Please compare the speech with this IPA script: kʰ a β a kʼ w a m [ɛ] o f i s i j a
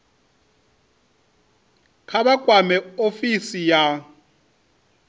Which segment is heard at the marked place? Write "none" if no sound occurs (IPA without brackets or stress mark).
ɛ